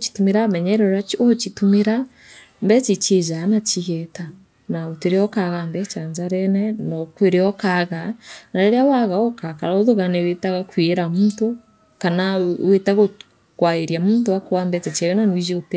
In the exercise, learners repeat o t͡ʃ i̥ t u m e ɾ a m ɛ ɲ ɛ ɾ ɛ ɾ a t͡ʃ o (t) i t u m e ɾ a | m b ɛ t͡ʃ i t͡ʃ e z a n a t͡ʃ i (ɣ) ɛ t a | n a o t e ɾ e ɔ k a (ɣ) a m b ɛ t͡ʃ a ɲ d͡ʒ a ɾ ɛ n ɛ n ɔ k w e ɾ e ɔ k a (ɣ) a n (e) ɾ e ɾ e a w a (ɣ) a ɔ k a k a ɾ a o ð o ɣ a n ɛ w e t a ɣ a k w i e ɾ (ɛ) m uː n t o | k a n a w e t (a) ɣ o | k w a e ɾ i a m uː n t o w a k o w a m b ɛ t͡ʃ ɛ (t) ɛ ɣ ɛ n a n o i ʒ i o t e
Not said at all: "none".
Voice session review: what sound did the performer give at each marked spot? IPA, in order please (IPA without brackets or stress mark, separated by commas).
t͡ʃ, ɣ, ɣ, ɣ, a, ɣ, a, a, t͡ʃ